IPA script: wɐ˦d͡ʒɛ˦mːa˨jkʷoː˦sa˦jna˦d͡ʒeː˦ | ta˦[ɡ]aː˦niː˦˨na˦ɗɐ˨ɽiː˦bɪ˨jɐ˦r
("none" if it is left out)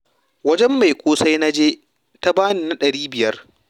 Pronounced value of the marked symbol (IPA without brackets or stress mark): b